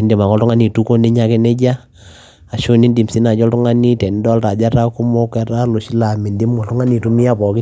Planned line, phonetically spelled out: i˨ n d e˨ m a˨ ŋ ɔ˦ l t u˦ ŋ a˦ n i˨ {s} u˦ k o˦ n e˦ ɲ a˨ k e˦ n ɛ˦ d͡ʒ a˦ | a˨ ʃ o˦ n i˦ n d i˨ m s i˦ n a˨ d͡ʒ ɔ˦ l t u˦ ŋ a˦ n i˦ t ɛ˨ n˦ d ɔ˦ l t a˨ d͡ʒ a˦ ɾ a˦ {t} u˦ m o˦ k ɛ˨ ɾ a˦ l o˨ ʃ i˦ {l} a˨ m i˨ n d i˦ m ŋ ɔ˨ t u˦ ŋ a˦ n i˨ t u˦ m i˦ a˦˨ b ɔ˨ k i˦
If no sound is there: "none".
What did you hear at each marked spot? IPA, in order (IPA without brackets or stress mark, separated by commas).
t, k, l